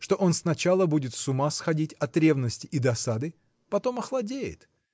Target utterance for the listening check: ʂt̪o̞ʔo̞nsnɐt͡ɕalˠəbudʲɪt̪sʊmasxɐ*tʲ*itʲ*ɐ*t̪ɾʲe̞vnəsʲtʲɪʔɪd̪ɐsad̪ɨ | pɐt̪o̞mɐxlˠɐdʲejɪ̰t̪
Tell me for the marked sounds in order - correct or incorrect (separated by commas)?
incorrect, correct